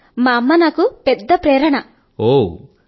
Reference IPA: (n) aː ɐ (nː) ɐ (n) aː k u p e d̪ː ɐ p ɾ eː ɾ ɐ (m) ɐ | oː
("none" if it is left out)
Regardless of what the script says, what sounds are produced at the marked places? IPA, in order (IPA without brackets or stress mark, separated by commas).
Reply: m, mː, n, ɳ